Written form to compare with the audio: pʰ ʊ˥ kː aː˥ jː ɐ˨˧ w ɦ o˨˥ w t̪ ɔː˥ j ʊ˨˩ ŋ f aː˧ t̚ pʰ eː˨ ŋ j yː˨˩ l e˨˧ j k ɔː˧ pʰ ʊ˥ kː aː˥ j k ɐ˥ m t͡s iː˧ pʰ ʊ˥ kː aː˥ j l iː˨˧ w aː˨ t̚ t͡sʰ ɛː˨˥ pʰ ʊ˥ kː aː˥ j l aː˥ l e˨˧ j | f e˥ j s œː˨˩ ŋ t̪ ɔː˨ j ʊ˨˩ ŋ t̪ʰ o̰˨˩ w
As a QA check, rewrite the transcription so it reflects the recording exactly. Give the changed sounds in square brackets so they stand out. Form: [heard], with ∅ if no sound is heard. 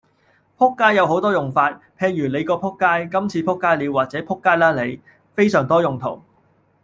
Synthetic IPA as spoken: pʰ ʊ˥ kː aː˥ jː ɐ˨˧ w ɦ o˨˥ w t̪ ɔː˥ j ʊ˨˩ ŋ f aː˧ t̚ pʰ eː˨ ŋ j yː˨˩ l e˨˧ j k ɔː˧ pʰ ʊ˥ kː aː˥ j k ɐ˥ m [t͡sʰ] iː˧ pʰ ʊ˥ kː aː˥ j l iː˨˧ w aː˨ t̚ [t͡s] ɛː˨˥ pʰ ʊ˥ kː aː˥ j l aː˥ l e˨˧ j | f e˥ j s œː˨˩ ŋ t̪ [ɔː˥] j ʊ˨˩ ŋ t̪ʰ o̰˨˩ w